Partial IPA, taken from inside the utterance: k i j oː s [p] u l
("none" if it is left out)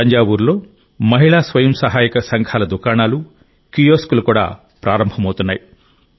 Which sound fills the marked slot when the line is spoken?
k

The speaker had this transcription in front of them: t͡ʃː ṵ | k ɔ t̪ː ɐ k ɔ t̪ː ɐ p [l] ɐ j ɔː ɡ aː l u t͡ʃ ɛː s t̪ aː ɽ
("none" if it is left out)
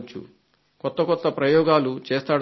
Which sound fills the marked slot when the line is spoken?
ɾ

